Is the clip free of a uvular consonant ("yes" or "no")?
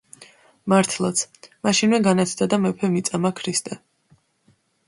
yes